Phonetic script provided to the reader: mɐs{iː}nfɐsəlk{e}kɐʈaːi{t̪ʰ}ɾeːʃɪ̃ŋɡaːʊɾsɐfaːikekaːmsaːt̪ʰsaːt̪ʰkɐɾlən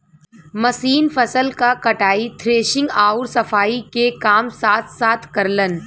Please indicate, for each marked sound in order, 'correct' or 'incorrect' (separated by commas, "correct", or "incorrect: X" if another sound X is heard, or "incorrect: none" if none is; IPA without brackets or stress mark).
correct, incorrect: a, correct